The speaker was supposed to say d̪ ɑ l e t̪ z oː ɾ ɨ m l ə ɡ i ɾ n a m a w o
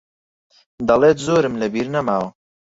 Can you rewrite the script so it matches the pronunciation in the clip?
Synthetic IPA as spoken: d̪ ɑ l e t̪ z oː ɾ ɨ m l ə b i ɾ n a m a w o